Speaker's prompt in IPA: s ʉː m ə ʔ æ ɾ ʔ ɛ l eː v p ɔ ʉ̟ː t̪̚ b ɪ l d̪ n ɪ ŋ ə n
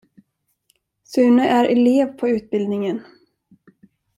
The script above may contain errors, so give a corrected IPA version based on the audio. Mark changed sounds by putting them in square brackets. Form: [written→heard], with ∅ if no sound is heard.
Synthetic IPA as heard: s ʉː [m→n] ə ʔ æ ɾ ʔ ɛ l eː v [p→pʰ] ɔ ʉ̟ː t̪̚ b ɪ l d̪ n ɪ ŋ ə n